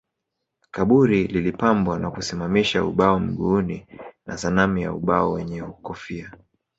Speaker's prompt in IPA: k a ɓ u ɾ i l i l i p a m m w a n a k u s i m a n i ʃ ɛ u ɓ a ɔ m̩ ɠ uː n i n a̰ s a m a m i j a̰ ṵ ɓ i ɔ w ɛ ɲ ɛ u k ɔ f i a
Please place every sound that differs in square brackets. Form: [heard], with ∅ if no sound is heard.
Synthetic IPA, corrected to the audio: k a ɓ u ɾ i l i l i p a m [b] w a n a k u s i m a [m] i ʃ [a] u ɓ a ɔ m̩ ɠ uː n i n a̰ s a [n] a m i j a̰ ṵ ɓ [a] ɔ w ɛ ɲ ɛ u k ɔ f i a